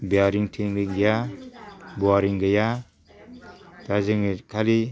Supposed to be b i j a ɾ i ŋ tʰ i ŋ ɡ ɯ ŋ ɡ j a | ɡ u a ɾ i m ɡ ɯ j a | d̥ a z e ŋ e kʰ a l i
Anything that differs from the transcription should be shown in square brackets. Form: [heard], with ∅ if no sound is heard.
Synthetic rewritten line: b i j a ɾ i ŋ tʰ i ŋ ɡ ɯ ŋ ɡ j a | [b] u a ɾ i [ŋ] ɡ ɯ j a | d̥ a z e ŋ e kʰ a l i